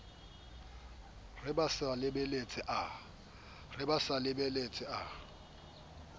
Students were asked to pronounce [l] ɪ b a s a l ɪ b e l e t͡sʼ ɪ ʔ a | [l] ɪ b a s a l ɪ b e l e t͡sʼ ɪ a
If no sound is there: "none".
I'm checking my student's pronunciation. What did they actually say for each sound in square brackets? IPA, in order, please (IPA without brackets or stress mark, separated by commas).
r, r